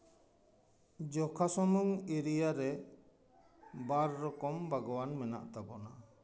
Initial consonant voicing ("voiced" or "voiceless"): voiced